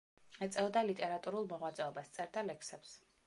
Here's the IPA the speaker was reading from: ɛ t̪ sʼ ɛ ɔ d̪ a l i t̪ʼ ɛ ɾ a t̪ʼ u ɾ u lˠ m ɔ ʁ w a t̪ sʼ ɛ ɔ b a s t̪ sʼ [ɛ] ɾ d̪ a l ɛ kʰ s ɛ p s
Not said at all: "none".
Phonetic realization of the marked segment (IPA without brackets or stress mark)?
ɛ